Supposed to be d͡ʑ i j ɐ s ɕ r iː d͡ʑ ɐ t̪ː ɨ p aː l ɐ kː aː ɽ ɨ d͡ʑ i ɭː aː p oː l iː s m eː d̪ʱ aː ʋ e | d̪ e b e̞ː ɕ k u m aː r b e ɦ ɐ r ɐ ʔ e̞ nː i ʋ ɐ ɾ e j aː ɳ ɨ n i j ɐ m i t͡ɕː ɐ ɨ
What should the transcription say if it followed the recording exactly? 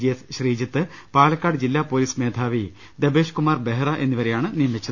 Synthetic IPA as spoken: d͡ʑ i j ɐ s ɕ r iː d͡ʑ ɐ t̪ː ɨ p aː l ɐ kː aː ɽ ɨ d͡ʑ i lː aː p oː l iː s m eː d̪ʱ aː ʋ i | d̪ e b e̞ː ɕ k u m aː r b e ɦ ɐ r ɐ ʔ e̞ nː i ʋ ɐ ɾ e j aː ɳ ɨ n i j ɐ m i t͡ɕː ɐ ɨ